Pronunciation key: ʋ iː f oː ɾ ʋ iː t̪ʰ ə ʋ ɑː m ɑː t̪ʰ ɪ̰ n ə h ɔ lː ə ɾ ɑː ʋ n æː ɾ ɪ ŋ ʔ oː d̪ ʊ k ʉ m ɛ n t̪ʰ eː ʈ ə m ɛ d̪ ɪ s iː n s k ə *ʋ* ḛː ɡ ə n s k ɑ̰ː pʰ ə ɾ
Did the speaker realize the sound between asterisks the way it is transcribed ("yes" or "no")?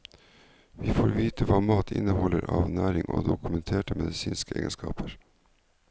no